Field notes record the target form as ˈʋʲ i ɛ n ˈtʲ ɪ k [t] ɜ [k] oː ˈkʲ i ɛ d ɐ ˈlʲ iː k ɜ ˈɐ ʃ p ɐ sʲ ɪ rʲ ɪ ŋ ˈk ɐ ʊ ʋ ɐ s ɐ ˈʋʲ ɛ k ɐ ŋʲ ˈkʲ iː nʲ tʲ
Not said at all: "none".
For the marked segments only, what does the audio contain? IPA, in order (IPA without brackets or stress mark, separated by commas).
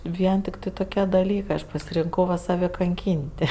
t, t